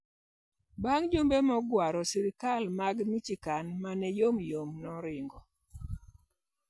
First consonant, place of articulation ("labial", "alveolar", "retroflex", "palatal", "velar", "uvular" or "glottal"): labial